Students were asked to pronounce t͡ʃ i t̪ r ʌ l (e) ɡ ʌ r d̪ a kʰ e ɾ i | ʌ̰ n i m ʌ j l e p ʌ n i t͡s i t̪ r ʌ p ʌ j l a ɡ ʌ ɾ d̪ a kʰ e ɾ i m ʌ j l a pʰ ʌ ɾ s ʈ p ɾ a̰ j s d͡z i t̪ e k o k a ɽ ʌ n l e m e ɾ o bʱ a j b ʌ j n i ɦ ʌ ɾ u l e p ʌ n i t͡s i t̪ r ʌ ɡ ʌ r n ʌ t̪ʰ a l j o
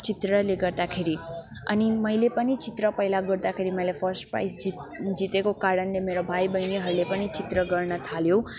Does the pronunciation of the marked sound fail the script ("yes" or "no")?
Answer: no